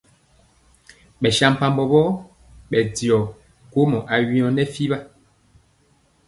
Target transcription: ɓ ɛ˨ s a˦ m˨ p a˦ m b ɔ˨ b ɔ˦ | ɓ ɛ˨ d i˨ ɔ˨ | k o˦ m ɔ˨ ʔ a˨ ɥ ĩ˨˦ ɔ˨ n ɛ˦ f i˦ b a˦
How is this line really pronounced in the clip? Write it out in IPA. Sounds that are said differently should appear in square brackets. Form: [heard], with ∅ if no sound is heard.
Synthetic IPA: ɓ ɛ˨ [ʃ] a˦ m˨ p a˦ m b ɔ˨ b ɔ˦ | ɓ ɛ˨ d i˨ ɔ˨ | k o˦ m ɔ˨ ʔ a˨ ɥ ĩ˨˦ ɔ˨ n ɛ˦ f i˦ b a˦